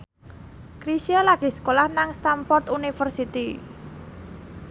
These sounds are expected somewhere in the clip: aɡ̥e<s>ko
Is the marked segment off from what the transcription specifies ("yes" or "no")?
no